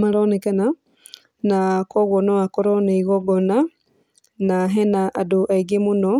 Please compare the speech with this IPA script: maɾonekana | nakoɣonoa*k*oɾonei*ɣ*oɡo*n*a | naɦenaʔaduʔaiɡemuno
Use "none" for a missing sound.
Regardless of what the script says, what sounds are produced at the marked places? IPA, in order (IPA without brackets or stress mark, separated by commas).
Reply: k, ɣ, n